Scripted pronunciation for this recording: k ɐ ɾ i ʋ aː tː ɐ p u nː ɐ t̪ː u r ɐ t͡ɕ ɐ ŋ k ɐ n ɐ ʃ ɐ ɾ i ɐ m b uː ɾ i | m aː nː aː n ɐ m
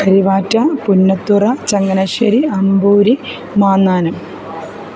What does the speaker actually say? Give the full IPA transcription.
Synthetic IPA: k ɐ ɾ i ʋ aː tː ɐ p u nː ɐ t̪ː u r ɐ t͡ɕ ɐ ŋ ɡ ɐ n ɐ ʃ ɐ ɾ i ɐ m b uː ɾ i | m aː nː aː n ɐ m